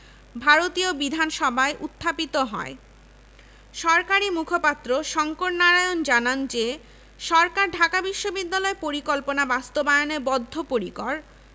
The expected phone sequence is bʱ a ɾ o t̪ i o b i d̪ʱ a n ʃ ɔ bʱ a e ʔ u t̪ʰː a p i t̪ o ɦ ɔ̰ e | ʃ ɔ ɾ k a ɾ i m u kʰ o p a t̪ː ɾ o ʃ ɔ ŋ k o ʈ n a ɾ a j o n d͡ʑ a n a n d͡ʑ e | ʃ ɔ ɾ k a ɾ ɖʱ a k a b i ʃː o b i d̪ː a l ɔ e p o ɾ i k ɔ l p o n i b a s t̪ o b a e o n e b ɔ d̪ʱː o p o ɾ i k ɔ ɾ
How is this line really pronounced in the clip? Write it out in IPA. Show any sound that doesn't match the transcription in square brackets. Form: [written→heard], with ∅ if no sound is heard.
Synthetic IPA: bʱ a ɾ o t̪ i o b i d̪ʱ a n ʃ ɔ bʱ a e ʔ u t̪ʰː a p i t̪ o ɦ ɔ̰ e | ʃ ɔ ɾ k a ɾ i m u kʰ o p a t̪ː ɾ o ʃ ɔ ŋ k o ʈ n a ɾ a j o n d͡ʑ a n a n d͡ʑ e | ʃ ɔ ɾ k a ɾ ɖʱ a k a b i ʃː o b i d̪ː a l ɔ e p o ɾ i k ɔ l p o n [i→a] b a s t̪ o b a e o n e b ɔ d̪ʱː o p o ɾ i k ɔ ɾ